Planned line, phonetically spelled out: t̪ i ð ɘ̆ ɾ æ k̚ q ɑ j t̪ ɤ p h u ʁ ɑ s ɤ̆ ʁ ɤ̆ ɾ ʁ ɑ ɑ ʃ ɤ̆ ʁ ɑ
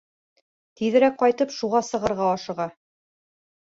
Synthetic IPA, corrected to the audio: t̪ i ð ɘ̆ ɾ æ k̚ q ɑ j t̪ ɤ p ʃ u ʁ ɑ s ɤ̆ ʁ ɤ̆ ɾ ʁ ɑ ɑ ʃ ɤ̆ ʁ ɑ